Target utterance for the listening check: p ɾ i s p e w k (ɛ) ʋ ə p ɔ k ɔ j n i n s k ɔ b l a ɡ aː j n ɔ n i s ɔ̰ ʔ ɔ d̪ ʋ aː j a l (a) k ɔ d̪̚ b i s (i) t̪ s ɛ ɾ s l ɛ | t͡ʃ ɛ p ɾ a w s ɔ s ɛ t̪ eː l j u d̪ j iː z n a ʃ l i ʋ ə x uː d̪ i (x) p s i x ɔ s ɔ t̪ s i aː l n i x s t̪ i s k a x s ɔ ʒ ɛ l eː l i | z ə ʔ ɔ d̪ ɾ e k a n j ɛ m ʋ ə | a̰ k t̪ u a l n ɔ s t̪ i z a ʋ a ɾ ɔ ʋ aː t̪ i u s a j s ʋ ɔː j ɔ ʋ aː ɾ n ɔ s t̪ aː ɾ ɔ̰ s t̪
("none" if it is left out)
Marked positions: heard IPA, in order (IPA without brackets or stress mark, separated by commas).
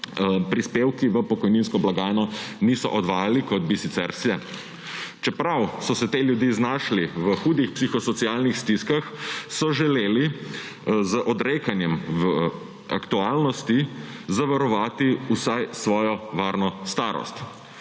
i, i, i, x